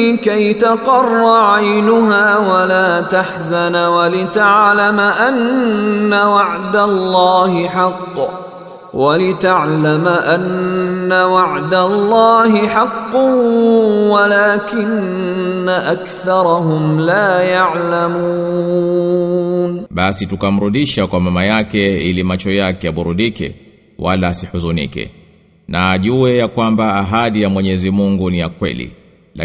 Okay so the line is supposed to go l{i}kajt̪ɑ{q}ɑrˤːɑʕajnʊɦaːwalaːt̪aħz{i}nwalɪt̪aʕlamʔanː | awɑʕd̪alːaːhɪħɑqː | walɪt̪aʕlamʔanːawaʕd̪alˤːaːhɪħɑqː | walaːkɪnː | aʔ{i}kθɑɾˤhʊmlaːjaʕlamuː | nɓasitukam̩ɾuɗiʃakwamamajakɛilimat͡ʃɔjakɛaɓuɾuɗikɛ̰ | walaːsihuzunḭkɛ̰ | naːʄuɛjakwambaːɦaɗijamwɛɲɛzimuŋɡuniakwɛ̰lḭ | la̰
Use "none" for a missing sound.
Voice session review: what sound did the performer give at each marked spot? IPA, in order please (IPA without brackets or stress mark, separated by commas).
ɪ, q, a, a